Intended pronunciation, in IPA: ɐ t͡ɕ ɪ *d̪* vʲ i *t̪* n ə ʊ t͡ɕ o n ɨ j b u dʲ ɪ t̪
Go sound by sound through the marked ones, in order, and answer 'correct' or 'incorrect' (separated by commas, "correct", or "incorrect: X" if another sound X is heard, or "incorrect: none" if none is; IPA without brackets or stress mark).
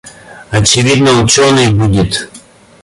incorrect: none, incorrect: d̪